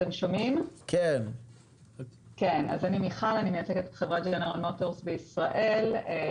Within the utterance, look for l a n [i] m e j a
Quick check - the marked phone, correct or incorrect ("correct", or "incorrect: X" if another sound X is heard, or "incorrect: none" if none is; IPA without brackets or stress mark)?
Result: correct